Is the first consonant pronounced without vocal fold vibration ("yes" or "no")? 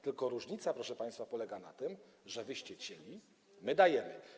yes